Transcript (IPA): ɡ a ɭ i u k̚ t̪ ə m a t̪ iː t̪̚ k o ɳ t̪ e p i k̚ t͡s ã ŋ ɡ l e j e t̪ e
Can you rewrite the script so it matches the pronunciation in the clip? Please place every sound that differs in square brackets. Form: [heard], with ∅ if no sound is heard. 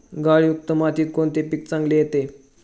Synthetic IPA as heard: ɡ a ɭ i u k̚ t̪ ə m a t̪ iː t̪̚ k o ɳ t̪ e p i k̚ t͡s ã ŋ ɡ l e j e t̪ e